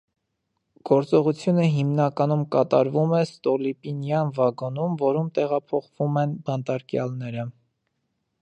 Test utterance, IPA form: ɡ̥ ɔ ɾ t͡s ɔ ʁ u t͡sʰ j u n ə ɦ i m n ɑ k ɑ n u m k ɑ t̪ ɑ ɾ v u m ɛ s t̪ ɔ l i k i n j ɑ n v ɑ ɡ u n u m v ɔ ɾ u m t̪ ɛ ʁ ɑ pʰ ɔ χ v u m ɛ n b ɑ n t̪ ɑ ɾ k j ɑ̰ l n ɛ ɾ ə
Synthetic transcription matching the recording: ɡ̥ ɔ ɾ t͡s ɔ ʁ u t͡sʰ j u n ə ɦ i m n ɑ k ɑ n u m k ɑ t̪ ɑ ɾ v u m ɛ s t̪ ɔ l i p i n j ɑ n v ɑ ɡ ɔ n u m v ɔ ɾ u m t̪ ɛ ʁ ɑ pʰ ɔ χ v u m ɛ n b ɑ n t̪ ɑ ɾ k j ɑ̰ l n ɛ ɾ ə